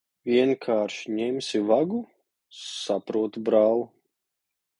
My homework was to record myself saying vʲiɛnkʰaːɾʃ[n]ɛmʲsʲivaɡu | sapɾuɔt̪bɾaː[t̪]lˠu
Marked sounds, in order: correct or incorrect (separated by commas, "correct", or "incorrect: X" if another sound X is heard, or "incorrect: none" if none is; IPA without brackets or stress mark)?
incorrect: ɲ, incorrect: none